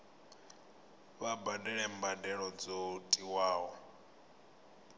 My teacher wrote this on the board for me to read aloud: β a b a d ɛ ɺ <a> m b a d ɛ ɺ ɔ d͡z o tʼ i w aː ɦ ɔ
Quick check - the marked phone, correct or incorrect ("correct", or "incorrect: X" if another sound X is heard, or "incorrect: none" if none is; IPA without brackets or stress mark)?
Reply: incorrect: ɛ